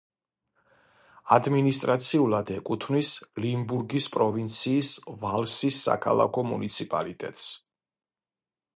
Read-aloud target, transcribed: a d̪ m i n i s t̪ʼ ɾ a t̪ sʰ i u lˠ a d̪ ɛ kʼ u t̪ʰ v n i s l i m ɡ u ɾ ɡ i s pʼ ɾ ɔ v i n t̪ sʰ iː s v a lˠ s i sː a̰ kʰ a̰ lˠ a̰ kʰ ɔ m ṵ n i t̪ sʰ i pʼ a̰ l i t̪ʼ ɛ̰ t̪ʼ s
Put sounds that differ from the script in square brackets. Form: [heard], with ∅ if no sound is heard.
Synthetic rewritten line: a d̪ m i n i s t̪ʼ ɾ a t̪ sʰ i u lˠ a d̪ ɛ kʼ u t̪ʰ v n i s l i m [b] u ɾ ɡ i s pʼ ɾ ɔ v i n t̪ sʰ iː s v a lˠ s i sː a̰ kʰ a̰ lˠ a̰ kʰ ɔ m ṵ n i t̪ sʰ i pʼ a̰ l i t̪ʼ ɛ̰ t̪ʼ s